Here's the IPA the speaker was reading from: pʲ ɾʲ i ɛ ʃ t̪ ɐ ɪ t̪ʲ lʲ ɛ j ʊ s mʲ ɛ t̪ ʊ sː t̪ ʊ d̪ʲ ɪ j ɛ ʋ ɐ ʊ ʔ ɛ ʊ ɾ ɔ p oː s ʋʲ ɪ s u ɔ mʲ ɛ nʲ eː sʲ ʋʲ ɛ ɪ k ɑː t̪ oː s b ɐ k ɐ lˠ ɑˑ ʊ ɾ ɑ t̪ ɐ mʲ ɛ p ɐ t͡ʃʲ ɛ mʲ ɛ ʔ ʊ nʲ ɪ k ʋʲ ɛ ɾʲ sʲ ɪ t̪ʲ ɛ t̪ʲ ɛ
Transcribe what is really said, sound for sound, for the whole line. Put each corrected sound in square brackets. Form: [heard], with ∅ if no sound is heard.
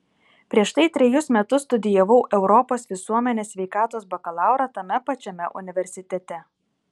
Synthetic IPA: pʲ ɾʲ i ɛ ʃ t̪ ɐ ɪ t̪ʲ [ɾʲ] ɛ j ʊ s mʲ ɛ t̪ ʊ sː t̪ ʊ d̪ʲ ɪ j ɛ ʋ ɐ ʊ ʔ ɛ ʊ ɾ ɔ p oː s ʋʲ ɪ s u ɔ mʲ ɛ nʲ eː sʲ ʋʲ ɛ ɪ k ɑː t̪ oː s b ɐ k ɐ lˠ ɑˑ ʊ ɾ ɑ t̪ ɐ mʲ ɛ p ɐ t͡ʃʲ ɛ mʲ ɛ ʔ ʊ nʲ ɪ [∅] ʋʲ ɛ ɾʲ sʲ ɪ t̪ʲ ɛ t̪ʲ ɛ